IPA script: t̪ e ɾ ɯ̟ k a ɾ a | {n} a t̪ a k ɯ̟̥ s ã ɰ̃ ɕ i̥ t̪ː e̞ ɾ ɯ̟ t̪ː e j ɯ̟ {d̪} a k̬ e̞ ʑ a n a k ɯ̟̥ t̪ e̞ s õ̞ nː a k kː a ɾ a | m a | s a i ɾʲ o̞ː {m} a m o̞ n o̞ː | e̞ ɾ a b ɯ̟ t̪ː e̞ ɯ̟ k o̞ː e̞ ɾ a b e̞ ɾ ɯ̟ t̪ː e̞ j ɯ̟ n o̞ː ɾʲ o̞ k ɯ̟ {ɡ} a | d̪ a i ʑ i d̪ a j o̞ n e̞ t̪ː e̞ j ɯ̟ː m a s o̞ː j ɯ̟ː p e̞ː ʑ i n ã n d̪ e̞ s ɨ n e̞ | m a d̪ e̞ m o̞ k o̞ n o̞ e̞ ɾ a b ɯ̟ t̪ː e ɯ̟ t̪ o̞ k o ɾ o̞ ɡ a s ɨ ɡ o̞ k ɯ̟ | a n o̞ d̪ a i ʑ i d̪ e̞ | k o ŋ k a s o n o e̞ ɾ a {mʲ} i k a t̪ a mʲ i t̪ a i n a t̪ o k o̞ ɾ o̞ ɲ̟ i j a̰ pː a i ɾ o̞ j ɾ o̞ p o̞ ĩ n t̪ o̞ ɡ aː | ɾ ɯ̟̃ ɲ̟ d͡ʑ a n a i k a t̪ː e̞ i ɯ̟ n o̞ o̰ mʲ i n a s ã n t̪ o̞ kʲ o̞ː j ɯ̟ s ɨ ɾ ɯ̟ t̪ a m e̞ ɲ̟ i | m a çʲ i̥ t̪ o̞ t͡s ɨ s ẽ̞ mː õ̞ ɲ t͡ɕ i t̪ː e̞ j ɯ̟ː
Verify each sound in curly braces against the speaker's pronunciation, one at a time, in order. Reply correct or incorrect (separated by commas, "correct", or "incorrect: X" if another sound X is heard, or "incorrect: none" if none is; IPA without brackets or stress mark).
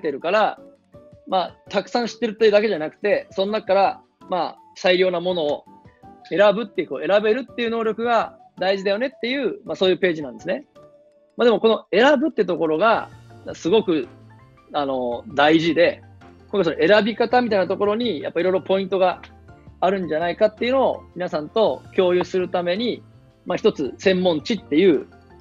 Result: incorrect: m, correct, incorrect: n, correct, incorrect: bʲ